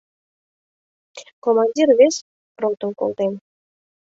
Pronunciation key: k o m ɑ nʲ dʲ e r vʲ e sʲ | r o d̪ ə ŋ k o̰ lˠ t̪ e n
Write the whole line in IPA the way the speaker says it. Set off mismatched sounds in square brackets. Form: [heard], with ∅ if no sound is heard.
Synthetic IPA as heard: k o m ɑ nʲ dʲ [i] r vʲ e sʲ | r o [t̪] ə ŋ k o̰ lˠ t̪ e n